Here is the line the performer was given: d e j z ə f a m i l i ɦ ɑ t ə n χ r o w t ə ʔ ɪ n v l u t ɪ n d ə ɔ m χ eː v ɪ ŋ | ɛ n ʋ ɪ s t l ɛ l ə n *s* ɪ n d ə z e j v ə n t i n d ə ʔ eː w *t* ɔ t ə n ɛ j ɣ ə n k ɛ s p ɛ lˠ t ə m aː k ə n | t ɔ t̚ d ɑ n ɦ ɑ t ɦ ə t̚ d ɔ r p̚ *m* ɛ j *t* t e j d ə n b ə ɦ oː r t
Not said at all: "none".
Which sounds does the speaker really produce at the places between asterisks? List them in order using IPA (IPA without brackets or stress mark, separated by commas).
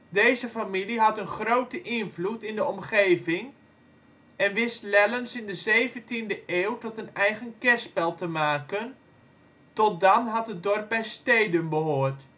s, t, b, s